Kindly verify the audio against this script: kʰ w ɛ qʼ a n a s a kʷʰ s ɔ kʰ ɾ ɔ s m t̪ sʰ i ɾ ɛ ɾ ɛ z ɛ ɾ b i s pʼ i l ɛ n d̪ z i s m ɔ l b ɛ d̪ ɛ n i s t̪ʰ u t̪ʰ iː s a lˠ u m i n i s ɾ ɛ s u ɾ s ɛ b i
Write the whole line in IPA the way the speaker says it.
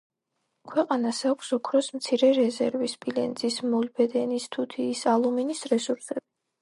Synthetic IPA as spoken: kʰ w ɛ qʼ a n a s a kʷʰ s ɔ kʰ ɾ ɔ s m t̪ sʰ i ɾ ɛ ɾ ɛ z ɛ ɾ v i s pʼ i l ɛ n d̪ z i s m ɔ l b ɛ d̪ ɛ n i s t̪ʰ u t̪ʰ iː s a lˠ u m i n i s ɾ ɛ s u ɾ s ɛ b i